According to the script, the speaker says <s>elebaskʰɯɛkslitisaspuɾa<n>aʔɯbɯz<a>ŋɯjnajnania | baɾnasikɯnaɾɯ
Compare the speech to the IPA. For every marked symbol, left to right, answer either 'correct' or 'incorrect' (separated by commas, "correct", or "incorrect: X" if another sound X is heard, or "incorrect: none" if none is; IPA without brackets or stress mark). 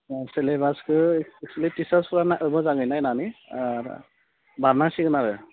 correct, correct, correct